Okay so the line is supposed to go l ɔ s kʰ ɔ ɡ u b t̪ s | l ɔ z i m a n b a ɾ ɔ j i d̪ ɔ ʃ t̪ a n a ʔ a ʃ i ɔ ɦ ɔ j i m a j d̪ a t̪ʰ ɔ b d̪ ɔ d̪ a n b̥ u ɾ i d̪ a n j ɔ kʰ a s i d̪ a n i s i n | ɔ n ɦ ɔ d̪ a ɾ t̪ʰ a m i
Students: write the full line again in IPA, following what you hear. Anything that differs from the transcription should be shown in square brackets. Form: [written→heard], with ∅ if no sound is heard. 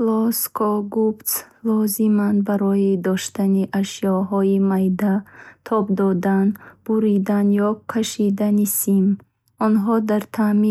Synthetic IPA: l ɔ s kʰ ɔ ɡ u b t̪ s | l ɔ z i m a n b a ɾ ɔ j i d̪ ɔ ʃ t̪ a n [a→i] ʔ a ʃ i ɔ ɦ ɔ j i m a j d̪ a t̪ʰ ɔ b d̪ ɔ d̪ a n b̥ u ɾ i d̪ a n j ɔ kʰ a [s→ʃ] i d̪ a n i s i [n→m] | ɔ n ɦ ɔ d̪ a ɾ t̪ʰ a m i